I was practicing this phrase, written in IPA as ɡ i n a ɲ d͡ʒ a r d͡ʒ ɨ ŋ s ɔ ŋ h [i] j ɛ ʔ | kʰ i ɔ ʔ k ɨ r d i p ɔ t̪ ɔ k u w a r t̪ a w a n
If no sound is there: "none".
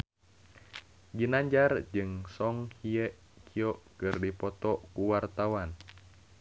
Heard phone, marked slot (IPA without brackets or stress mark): i